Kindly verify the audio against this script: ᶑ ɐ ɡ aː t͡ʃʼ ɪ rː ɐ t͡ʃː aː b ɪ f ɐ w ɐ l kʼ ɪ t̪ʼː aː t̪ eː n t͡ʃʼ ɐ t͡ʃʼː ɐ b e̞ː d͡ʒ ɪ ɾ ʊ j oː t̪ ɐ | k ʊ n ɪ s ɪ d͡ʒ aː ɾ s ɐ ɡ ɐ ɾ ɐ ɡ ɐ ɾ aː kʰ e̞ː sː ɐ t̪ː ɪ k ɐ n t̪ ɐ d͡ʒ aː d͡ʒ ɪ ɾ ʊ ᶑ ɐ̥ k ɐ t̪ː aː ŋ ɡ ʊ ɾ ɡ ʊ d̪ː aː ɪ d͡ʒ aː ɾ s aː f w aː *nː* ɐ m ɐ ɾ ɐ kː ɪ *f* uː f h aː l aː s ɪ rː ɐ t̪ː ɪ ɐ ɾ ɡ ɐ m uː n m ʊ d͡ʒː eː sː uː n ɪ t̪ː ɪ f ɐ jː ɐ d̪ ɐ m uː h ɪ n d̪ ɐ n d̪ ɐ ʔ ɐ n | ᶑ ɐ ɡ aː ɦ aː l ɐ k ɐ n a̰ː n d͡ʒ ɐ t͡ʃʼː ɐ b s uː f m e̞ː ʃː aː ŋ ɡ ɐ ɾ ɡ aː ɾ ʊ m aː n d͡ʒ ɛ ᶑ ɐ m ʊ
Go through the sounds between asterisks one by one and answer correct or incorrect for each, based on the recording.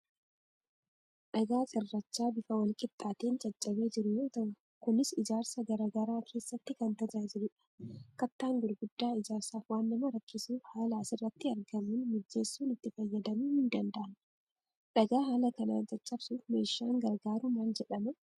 correct, incorrect

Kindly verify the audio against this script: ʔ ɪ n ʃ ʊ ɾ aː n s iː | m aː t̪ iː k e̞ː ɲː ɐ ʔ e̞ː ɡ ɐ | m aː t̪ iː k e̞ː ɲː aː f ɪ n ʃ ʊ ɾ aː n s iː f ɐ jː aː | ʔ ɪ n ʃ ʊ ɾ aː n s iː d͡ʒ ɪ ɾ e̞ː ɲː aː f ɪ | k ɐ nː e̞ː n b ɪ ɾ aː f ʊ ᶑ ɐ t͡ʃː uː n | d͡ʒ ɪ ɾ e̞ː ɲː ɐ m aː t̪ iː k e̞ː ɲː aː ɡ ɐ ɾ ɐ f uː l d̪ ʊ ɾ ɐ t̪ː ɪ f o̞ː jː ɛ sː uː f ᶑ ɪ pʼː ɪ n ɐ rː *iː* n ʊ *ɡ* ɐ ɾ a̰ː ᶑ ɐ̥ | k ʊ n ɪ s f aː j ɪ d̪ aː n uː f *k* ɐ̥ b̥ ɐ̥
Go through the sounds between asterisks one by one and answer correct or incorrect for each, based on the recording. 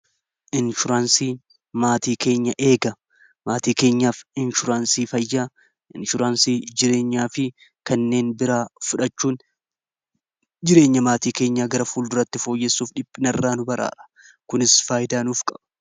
incorrect, incorrect, incorrect

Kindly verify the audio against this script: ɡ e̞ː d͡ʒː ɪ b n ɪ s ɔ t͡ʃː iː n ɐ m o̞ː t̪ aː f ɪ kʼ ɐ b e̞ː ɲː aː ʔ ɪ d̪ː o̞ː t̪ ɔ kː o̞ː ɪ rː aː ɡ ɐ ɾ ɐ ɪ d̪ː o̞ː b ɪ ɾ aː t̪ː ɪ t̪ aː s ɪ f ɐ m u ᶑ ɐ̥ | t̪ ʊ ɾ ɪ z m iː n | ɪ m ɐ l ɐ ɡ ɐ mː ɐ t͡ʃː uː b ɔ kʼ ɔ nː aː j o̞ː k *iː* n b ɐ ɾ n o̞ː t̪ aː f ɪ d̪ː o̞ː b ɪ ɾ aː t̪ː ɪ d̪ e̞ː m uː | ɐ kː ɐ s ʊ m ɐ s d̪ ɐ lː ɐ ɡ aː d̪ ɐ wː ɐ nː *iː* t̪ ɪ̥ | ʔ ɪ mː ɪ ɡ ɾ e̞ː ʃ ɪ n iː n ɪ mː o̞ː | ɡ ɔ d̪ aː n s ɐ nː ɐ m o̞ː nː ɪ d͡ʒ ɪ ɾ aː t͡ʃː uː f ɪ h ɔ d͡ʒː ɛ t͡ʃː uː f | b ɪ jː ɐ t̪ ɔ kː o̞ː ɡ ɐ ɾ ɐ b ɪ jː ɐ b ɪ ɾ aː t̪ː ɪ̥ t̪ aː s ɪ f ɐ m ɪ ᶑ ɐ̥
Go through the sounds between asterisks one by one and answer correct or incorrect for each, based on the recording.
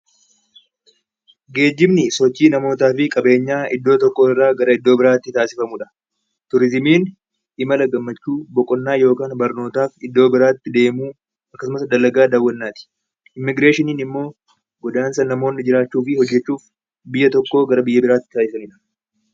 incorrect, incorrect

